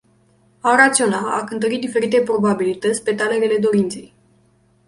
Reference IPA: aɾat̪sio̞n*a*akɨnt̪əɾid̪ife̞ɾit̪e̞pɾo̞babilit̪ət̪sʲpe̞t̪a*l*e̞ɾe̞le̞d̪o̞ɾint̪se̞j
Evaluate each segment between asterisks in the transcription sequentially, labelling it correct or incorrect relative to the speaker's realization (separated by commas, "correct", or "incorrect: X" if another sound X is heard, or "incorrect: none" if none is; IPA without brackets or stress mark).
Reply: correct, correct